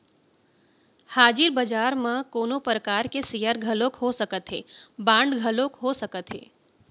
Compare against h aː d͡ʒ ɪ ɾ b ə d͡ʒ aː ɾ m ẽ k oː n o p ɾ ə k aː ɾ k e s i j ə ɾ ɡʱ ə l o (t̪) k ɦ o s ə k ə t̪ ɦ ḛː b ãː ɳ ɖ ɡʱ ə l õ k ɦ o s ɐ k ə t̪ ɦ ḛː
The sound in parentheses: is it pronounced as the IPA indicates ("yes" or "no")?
no